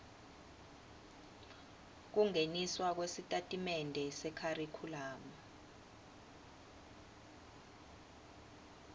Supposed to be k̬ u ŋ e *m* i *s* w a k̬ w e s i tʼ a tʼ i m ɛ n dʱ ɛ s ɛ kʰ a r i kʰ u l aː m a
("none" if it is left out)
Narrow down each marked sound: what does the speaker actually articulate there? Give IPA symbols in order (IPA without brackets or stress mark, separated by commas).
n, s